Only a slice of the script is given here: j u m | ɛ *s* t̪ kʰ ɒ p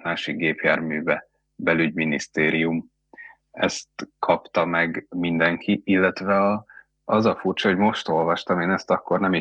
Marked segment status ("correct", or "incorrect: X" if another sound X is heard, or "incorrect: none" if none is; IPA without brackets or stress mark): correct